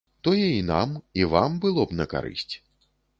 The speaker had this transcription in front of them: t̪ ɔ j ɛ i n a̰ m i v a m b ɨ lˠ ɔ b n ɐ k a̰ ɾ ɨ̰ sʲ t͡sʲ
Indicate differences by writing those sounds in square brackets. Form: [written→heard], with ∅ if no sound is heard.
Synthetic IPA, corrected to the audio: t̪ ɔ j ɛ i n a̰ m i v a m b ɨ lˠ ɔ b n ɐ k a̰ ɾ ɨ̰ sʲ t͡sʲ